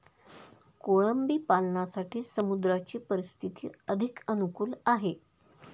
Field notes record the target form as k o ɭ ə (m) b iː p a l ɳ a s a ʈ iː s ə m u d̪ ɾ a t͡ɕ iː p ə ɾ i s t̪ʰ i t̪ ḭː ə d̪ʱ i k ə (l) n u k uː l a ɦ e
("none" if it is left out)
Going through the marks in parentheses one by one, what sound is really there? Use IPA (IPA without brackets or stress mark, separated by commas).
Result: m, none